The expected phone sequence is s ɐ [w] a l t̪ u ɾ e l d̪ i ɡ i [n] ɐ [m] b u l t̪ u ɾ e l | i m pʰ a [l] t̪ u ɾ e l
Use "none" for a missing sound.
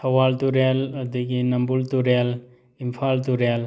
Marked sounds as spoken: w, n, m, l

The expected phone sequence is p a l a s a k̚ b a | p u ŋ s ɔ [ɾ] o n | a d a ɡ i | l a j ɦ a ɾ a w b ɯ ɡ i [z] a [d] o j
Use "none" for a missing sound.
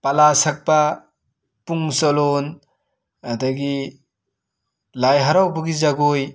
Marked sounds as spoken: l, z, ɡ

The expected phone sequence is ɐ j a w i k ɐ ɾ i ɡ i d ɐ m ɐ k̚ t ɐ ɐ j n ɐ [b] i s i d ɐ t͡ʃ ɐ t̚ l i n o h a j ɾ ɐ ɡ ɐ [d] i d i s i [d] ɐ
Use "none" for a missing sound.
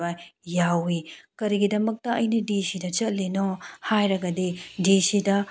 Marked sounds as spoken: d, d, d

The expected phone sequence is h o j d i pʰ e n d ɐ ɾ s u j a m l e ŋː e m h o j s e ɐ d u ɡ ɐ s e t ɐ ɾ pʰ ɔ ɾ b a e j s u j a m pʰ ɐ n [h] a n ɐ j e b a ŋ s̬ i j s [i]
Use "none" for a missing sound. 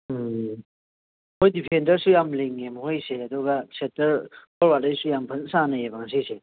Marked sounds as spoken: s, e

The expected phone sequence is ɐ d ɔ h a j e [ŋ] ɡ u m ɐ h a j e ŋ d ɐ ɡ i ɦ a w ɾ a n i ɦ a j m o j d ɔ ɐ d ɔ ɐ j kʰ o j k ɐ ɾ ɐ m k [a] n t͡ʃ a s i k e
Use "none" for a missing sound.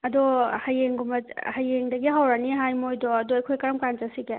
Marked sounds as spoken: ŋ, a

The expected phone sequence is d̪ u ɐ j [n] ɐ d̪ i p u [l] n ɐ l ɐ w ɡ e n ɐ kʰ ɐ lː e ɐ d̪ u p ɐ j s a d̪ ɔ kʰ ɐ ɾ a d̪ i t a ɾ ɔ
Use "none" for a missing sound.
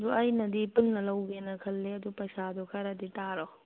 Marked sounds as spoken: n, l

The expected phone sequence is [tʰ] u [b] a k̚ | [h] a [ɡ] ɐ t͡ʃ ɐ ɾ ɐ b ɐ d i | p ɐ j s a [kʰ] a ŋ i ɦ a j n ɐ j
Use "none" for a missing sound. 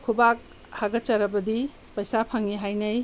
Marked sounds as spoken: kʰ, b, h, ɡ, pʰ

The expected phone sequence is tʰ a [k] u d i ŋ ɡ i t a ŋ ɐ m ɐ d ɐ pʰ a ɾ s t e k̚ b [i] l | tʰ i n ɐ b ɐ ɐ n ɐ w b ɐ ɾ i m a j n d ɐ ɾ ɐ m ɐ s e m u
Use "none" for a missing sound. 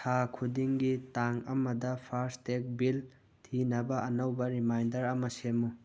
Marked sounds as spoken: kʰ, i

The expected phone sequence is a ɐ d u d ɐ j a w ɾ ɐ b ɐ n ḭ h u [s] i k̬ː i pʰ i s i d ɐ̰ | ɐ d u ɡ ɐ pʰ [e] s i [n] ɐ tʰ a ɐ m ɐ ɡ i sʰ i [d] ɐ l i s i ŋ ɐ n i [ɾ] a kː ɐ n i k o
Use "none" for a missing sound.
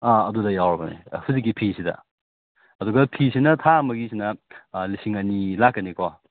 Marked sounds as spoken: z, i, n, n, l

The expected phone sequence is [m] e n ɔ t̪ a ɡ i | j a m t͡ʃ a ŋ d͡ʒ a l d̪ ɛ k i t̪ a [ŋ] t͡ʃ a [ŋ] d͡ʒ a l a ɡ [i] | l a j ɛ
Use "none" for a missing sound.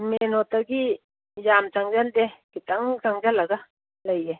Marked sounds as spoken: m, ŋ, ŋ, a

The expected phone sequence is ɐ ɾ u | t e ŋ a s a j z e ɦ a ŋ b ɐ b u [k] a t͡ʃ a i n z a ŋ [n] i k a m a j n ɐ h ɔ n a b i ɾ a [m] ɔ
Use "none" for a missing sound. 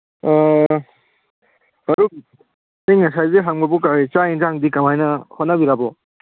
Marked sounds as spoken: k, d, b

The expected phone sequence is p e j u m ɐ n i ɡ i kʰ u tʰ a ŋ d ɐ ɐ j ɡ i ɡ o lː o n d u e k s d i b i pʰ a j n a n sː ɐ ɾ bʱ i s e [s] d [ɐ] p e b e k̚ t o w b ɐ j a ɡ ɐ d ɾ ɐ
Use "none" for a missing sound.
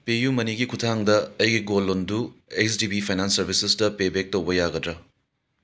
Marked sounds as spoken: s, ɐ

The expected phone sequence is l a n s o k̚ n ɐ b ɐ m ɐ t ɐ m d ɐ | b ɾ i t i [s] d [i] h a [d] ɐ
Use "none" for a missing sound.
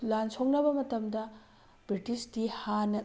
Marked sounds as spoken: s, i, n

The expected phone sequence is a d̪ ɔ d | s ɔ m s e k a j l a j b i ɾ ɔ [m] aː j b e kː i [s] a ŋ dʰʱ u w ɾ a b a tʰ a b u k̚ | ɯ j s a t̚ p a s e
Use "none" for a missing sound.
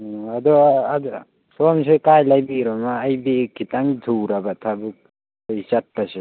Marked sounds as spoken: m, t

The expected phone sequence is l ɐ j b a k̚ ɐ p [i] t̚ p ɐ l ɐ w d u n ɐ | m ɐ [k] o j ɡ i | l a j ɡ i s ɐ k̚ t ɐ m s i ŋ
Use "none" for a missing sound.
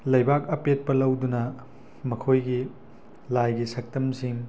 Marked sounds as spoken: e, kʰ

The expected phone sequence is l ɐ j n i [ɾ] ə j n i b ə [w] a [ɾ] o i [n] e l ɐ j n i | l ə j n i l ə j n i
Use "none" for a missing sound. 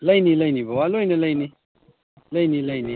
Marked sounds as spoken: l, w, l, n

